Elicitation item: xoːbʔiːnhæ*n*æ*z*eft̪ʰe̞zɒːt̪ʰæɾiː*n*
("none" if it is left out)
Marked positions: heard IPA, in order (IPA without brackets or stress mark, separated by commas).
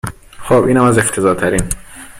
m, z, n